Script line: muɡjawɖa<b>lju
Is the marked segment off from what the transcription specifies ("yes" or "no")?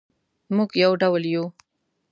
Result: yes